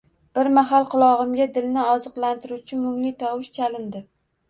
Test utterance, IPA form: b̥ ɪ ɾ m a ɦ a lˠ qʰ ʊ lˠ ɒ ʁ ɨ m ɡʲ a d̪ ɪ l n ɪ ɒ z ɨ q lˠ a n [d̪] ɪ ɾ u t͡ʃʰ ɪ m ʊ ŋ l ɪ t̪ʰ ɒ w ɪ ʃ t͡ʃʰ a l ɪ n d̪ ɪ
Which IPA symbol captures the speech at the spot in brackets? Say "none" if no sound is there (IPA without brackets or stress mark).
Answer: t̪